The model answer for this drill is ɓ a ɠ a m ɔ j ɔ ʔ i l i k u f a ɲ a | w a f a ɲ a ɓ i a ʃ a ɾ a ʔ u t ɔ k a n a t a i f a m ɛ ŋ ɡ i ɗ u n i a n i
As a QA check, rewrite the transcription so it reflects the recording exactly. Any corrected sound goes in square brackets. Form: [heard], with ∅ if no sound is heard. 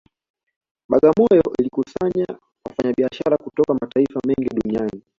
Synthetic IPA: ɓ a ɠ a m ɔ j ɔ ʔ i l i k u [s] a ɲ a | w a f a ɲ a ɓ i a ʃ a ɾ a [k] u t ɔ k a [m] a t a i f a m ɛ ŋ ɡ i ɗ u n i a n i